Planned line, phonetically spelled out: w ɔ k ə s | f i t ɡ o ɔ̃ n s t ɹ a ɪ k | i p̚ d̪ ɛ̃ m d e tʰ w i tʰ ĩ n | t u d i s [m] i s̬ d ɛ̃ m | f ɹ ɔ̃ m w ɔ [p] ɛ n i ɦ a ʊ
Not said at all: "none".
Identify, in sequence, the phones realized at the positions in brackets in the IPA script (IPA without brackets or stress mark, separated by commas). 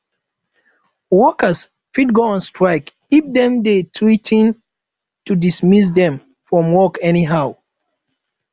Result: m, k